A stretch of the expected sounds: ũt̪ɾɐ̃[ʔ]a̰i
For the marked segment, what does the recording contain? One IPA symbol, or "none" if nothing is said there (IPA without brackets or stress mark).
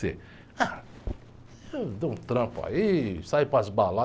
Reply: p